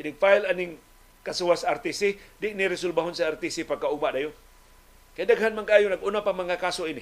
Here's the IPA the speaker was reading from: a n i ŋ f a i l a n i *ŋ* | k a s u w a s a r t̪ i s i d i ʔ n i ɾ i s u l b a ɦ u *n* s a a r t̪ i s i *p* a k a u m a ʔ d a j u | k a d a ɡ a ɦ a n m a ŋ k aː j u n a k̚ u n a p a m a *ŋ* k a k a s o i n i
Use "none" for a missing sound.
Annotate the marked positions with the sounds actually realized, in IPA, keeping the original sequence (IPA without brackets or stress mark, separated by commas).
ŋ, n, p, ŋ